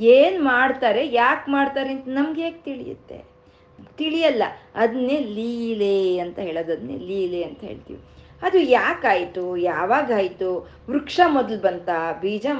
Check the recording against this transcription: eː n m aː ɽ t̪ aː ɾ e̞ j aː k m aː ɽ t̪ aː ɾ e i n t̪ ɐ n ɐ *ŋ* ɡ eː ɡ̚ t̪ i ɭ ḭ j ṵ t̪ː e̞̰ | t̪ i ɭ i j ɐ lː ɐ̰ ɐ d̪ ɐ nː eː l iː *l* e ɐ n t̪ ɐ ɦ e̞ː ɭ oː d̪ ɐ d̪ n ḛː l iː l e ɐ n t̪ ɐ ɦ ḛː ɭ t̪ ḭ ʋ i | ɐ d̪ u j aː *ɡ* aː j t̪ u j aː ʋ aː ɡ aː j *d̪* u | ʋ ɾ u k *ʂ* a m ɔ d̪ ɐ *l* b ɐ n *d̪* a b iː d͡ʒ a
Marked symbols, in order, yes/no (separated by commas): no, yes, no, no, yes, yes, no